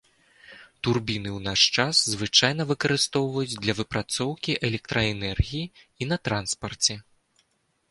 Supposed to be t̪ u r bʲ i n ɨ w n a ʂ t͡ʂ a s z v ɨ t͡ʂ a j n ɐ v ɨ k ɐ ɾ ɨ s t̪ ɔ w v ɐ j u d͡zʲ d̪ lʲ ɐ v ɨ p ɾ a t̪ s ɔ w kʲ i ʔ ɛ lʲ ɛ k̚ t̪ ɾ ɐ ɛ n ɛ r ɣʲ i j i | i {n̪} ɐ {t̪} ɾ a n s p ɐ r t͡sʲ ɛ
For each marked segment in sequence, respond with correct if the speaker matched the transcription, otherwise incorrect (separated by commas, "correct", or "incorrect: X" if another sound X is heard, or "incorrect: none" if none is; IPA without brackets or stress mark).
correct, correct